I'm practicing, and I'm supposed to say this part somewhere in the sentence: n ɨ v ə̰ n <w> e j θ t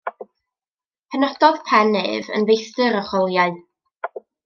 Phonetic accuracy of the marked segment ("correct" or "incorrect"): incorrect